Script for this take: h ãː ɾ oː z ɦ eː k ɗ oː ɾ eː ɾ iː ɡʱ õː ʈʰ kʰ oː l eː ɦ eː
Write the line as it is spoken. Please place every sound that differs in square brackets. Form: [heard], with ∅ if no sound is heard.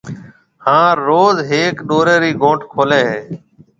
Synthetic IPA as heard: h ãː ɾ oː z ɦ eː k ɗ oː ɾ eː ɾ iː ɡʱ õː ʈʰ kʰ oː l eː ɦ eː

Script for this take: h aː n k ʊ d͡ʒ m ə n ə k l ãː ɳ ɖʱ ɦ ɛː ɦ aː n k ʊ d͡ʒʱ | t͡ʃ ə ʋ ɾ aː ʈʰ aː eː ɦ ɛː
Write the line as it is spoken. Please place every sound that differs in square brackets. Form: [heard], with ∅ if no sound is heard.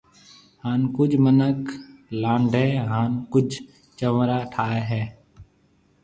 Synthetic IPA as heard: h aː n k ʊ d͡ʒ m ə n ə k l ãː ɳ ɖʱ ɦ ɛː ɦ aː n k ʊ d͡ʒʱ | t͡ʃ ə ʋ ɾ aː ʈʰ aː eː ɦ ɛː

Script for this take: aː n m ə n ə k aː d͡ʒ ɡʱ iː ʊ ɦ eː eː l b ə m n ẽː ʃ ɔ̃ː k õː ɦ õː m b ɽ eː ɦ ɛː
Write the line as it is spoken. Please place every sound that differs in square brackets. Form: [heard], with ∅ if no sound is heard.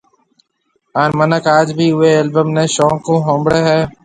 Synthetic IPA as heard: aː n m ə n ə k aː d͡ʒ [bʱ] iː ʊ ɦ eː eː l b ə m n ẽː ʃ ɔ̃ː k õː ɦ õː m b ɽ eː ɦ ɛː

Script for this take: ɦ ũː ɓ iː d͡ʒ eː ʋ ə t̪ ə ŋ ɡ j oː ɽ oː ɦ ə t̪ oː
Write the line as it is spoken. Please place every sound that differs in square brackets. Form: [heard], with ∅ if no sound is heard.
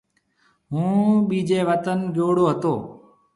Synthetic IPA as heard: ɦ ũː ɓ iː d͡ʒ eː ʋ ə t̪ ə [n] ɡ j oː ɽ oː ɦ ə t̪ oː

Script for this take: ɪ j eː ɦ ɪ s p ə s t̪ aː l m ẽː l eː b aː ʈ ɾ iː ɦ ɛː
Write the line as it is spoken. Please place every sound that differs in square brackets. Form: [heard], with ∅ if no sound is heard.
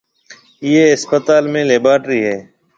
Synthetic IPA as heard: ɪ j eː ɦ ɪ s p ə [∅] t̪ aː l m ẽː l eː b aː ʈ ɾ iː ɦ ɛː

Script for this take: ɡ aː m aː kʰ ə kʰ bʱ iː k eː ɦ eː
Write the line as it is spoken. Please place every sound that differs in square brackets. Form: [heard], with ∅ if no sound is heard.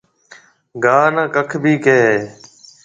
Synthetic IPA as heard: ɡ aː [n] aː [k] ə kʰ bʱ iː k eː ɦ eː

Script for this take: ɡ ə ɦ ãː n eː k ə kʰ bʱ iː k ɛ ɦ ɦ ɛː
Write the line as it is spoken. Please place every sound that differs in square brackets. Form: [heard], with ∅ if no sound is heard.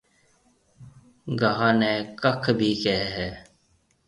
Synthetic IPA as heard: ɡ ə ɦ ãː n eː k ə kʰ bʱ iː k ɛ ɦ ɦ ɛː

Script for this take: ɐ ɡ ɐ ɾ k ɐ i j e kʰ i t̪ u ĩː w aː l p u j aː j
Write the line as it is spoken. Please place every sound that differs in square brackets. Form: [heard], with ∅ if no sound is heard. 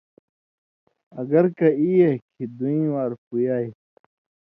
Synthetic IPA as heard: ɐ ɡ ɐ ɾ k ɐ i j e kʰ i [d̪] u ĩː w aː [ɾ] p u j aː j

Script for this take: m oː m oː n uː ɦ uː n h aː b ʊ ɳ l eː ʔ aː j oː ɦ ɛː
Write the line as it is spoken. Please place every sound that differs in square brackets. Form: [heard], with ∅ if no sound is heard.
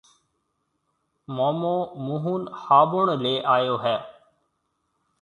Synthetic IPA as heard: m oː m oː [m] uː ɦ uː n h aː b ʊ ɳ l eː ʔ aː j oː ɦ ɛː

